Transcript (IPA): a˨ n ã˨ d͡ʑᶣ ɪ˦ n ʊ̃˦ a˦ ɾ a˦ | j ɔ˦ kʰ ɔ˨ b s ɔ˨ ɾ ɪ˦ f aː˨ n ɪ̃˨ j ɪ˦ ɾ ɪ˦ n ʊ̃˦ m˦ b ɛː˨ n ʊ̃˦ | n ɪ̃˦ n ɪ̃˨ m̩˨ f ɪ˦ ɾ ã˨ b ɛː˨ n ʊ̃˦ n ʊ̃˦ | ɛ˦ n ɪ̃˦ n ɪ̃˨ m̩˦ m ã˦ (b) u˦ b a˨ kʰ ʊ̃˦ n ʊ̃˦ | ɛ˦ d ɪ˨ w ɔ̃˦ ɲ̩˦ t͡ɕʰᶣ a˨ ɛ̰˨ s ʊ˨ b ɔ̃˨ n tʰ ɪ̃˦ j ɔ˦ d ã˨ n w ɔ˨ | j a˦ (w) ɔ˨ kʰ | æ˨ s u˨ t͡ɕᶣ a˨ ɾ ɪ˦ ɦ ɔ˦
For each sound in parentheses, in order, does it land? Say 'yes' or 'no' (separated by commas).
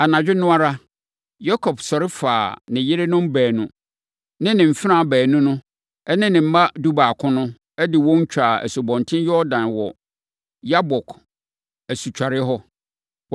no, no